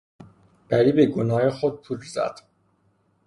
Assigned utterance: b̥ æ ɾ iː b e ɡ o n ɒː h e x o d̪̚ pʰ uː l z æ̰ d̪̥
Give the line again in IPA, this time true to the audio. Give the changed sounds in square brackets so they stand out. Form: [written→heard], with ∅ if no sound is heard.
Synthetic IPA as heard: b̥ æ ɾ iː b e ɡ o n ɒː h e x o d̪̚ pʰ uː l z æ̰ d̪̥

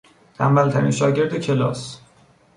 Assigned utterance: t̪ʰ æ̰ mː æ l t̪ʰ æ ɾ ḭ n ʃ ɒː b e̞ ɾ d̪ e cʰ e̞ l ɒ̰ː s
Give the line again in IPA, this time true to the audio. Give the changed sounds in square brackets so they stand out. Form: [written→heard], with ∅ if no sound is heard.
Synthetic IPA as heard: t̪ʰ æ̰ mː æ l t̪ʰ æ ɾ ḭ n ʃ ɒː [b→ɟ] e̞ ɾ d̪ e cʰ e̞ l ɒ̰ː s

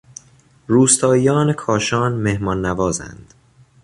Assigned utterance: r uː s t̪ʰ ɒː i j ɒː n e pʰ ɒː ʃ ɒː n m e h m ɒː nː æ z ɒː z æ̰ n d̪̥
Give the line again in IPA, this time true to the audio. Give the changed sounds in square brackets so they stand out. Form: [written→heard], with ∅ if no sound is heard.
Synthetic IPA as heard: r uː s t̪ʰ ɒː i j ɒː n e [pʰ→kʰ] ɒː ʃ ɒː n m e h m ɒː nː æ [z→v] ɒː z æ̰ n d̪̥

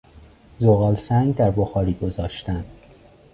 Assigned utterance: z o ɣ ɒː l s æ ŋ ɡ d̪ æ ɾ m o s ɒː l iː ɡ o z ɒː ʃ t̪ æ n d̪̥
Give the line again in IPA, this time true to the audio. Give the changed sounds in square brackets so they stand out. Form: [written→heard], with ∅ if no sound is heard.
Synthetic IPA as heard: z o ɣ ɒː l s æ ŋ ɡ d̪ æ ɾ [m→b] o [s→x] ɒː [l→ɾ] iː ɡ o z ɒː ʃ t̪ æ n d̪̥

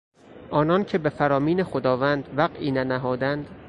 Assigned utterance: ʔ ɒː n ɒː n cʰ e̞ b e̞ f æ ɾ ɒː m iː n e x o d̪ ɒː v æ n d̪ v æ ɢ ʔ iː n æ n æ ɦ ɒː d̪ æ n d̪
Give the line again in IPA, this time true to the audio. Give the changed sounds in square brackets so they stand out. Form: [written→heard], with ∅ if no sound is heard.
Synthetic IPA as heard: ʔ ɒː n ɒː n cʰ e̞ b e̞ f æ ɾ ɒː m iː n e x o d̪ ɒː v æ n d̪ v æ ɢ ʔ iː n æ n æ ɦ ɒː d̪ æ n d̪

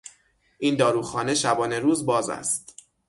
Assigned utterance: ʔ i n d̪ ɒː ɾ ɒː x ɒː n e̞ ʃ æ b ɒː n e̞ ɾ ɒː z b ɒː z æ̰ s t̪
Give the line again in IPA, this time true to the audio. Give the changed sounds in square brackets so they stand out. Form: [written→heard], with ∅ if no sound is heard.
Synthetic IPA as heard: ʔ i n d̪ ɒː ɾ [ɒː→uː] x ɒː n e̞ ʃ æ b ɒː n e̞ ɾ [ɒː→uː] z b ɒː z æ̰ s t̪

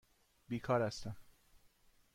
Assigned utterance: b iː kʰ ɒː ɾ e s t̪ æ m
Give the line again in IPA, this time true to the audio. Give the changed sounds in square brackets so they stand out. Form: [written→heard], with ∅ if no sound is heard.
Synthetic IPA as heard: b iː kʰ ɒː ɾ [e→æ] s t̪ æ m

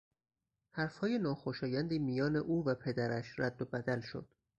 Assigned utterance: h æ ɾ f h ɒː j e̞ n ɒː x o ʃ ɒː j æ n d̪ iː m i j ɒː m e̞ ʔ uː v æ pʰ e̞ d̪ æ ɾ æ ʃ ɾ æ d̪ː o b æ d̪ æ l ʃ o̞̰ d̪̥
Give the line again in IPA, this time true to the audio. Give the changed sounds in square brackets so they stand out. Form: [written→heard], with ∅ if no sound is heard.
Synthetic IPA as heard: h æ ɾ f h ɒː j e̞ n ɒː x o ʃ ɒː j æ n d̪ iː m i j ɒː [m→n] e̞ ʔ uː v æ pʰ e̞ d̪ æ ɾ æ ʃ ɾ æ d̪ː o b æ d̪ æ l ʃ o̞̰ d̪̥

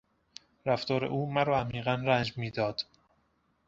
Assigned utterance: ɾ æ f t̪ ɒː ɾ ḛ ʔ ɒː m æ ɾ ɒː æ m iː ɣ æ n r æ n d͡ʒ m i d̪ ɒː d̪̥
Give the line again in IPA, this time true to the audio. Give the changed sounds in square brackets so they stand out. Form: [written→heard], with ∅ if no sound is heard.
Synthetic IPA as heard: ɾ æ f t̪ ɒː ɾ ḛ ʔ [ɒː→uː] m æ ɾ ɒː æ m iː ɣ æ n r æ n d͡ʒ m [i→iː] d̪ ɒː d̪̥

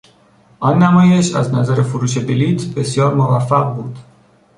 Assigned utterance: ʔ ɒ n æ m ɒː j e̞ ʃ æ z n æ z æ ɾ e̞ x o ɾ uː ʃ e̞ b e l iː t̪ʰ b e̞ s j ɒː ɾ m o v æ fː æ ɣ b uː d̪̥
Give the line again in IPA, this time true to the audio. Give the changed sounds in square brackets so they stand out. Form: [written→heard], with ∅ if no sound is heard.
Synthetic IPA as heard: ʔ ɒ [n→nː] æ m ɒː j e̞ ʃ æ z n æ z æ ɾ e̞ [x→f] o ɾ uː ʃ e̞ b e l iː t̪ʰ b e̞ s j ɒː ɾ m o v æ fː æ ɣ b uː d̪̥

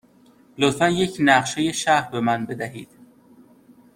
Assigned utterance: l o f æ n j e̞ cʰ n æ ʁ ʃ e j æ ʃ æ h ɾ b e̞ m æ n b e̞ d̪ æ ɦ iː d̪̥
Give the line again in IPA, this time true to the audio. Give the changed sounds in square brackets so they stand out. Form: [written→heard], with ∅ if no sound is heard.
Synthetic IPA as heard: l o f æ n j e̞ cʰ n æ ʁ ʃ e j [æ→e] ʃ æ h ɾ b e̞ m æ n b e̞ d̪ æ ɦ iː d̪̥

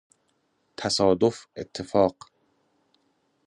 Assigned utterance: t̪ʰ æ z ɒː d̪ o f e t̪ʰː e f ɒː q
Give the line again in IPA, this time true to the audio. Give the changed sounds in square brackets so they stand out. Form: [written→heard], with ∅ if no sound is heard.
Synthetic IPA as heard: t̪ʰ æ [z→s] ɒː d̪ o f e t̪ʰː e f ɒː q

